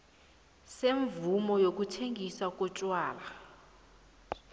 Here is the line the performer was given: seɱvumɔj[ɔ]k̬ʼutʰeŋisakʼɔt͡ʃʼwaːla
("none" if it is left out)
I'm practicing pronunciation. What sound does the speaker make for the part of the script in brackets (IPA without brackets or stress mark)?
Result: o